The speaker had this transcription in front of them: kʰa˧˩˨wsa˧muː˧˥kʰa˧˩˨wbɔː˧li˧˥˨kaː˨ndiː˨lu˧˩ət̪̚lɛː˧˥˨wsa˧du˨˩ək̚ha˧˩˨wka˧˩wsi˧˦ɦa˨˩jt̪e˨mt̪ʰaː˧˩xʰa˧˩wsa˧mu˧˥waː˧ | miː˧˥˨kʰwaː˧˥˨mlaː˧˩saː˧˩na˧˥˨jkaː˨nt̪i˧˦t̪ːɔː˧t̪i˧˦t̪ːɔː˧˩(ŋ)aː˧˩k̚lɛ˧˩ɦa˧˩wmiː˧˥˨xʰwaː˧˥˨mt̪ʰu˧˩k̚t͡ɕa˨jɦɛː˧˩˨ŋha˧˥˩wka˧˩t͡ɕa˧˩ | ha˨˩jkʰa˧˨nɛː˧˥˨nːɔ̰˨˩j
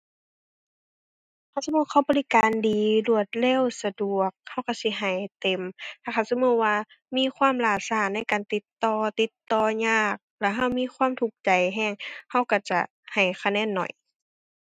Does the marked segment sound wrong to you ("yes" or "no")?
yes